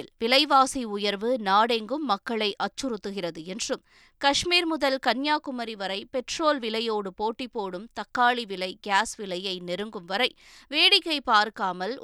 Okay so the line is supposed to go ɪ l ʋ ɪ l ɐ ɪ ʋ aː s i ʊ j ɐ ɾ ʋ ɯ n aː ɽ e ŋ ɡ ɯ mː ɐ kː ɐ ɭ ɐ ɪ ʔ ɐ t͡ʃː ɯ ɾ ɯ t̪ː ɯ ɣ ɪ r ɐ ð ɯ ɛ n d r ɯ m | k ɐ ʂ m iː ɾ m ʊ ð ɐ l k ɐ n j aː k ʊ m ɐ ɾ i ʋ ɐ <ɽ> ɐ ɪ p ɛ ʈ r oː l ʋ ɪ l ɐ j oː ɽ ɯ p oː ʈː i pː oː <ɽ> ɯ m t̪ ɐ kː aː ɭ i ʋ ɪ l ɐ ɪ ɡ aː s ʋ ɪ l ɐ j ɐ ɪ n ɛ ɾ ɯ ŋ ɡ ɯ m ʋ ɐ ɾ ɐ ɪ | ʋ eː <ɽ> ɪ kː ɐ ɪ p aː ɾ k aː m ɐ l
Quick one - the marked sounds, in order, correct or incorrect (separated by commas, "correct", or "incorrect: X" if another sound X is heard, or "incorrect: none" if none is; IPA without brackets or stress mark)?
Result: incorrect: ɾ, correct, correct